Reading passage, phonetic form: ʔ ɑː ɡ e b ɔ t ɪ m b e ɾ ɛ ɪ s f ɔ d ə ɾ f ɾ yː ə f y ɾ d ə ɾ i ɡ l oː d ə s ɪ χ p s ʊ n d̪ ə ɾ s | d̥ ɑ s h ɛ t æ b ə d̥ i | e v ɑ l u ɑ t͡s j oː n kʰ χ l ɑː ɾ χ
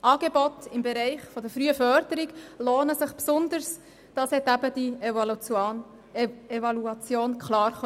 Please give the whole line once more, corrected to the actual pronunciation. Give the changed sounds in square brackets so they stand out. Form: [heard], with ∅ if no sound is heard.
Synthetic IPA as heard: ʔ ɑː ɡ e b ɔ t ɪ m b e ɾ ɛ ɪ [χ] f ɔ d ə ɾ f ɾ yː ə f [œ] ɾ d ə ɾ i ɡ l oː [n] ə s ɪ χ p s ʊ n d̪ ə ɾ s | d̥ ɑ s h ɛ t æ b ə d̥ i | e v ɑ l u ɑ t͡s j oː n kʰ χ l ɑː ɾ χ